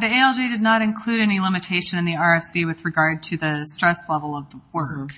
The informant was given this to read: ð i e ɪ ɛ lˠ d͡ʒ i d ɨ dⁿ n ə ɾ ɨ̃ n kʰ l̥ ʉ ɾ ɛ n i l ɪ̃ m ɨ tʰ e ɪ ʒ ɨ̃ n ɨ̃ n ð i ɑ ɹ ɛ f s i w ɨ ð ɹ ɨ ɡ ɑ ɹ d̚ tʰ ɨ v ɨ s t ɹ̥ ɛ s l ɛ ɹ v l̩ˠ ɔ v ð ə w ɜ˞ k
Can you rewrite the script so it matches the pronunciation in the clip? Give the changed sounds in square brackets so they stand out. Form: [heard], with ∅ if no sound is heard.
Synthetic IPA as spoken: ð i e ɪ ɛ lˠ d͡ʒ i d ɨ dⁿ n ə ɾ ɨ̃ n kʰ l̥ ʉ ɾ ɛ n i l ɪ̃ m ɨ tʰ e ɪ [ʃ] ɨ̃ n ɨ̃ n ð i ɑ ɹ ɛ f s i w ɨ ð ɹ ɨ ɡ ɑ ɹ d̚ tʰ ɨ [ð] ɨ s t ɹ̥ ɛ s l ɛ [∅] v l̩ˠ [ʌ] v ð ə w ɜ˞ k